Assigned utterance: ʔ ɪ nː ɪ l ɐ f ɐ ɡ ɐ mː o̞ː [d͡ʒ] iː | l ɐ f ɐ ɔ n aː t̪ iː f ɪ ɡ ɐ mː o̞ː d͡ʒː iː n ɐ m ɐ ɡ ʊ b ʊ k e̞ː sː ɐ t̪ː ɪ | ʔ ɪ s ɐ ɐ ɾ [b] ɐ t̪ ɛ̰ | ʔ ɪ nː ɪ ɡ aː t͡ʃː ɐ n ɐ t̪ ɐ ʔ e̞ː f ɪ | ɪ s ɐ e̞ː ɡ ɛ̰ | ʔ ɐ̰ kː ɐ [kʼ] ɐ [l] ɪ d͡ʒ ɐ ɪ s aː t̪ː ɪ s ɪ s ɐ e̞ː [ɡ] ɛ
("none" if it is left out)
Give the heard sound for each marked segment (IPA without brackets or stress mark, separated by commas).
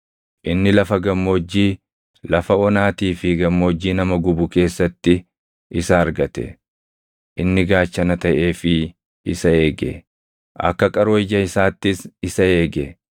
d͡ʒː, ɡ, kʼ, ɾ, ɡ